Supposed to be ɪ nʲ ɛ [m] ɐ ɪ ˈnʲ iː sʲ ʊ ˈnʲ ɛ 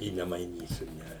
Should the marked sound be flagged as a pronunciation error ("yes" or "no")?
no